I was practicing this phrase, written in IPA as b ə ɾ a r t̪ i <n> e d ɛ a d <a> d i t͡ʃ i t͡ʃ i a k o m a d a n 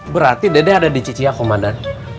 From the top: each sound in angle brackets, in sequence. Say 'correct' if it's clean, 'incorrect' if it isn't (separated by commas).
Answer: incorrect, correct